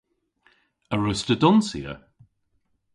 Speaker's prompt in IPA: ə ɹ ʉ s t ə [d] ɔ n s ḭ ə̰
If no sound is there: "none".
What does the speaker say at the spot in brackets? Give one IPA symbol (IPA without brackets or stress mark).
d